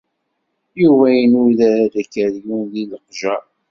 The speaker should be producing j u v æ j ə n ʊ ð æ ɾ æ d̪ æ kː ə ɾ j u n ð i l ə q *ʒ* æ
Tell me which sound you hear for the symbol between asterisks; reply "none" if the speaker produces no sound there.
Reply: ʒ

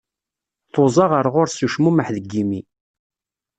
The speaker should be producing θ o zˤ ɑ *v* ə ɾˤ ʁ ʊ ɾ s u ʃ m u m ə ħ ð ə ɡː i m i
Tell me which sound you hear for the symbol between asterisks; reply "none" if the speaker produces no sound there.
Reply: ʁ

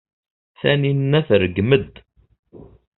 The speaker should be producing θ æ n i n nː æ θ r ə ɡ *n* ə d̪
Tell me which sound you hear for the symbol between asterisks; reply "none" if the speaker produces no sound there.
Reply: m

